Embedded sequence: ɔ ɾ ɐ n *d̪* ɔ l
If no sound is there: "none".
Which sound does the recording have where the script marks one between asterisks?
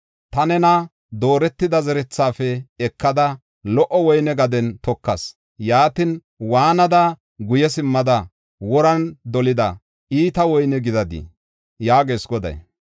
d̪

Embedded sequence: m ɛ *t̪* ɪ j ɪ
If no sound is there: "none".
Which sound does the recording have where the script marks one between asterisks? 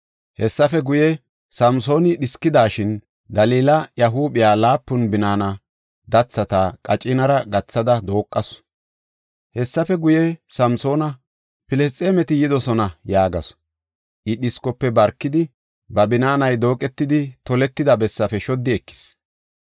t̪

